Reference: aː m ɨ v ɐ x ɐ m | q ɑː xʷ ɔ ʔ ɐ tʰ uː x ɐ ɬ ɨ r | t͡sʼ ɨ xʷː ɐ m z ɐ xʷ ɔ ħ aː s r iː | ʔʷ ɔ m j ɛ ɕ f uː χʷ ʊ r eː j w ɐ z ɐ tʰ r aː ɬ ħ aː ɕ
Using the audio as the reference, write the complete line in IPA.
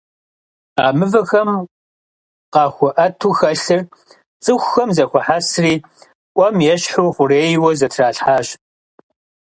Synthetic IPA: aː m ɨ v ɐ x ɐ m | q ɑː xʷ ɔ ʔ ɐ tʰ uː x ɐ ɬ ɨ r | t͡sʼ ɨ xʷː ɐ m z ɐ xʷ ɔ ħ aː s r iː | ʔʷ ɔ m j ɛ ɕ ħ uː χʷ ʊ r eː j w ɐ z ɐ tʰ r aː ɬ ħ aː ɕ